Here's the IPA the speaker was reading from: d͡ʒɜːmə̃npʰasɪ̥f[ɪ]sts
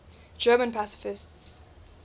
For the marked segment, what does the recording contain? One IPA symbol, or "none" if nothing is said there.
ɪ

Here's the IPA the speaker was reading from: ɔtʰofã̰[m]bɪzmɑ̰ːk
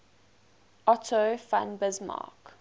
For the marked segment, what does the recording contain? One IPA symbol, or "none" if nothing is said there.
n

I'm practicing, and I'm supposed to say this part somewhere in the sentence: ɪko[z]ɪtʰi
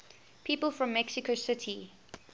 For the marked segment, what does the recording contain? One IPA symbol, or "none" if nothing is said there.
s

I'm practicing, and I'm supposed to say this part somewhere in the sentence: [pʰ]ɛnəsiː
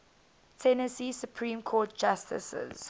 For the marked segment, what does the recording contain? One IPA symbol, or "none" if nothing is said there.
tʰ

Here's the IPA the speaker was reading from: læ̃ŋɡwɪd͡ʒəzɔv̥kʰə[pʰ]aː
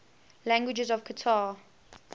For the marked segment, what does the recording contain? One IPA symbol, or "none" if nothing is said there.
tʰ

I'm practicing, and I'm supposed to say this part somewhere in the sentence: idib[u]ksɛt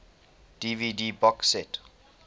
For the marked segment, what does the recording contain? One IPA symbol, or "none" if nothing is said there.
ɔ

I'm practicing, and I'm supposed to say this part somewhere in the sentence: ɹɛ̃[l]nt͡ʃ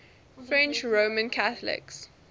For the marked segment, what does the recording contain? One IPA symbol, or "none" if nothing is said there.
none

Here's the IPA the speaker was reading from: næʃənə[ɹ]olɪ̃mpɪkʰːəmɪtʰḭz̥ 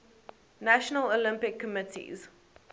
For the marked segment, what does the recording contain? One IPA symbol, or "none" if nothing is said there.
l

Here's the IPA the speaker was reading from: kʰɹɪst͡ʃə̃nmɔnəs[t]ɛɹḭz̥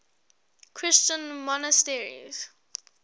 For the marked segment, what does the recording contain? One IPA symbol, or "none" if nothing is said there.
t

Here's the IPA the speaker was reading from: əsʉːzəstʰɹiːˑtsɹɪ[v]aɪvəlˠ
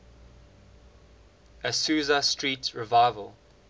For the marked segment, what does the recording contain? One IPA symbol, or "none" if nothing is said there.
v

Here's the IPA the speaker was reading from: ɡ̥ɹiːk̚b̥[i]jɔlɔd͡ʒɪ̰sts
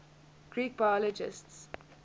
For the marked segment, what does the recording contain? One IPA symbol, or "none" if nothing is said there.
a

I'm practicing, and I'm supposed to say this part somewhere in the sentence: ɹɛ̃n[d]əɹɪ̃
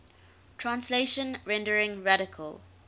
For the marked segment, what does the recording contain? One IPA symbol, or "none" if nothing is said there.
d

